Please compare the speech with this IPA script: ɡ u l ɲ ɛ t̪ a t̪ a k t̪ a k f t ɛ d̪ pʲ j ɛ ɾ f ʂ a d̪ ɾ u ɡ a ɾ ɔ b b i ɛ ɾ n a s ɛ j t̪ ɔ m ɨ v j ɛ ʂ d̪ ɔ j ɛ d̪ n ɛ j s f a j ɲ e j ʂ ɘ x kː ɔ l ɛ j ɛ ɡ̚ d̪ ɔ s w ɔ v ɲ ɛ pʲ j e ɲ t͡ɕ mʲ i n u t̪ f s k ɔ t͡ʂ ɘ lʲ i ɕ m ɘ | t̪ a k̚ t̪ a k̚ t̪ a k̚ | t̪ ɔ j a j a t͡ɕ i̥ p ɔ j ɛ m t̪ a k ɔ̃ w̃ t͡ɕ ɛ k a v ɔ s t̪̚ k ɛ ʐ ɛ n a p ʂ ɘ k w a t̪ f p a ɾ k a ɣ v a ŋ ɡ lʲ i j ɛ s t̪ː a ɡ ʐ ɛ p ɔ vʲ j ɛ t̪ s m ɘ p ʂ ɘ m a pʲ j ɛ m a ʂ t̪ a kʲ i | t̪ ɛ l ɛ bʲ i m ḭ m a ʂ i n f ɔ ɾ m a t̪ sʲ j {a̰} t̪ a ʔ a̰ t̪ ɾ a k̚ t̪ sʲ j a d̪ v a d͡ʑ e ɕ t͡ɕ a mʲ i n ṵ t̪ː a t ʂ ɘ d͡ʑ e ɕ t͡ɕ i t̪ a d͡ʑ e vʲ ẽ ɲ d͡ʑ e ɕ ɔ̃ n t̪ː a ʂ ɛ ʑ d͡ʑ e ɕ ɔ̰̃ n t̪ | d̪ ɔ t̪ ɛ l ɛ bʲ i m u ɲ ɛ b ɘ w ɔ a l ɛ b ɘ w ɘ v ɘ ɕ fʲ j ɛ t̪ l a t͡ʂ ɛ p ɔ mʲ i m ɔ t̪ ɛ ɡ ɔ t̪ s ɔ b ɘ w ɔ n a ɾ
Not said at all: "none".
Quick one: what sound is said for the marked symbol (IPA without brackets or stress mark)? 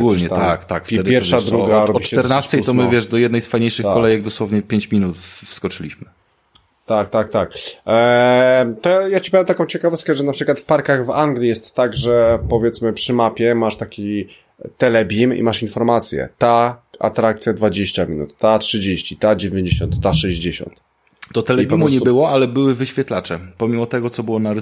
ɛ̰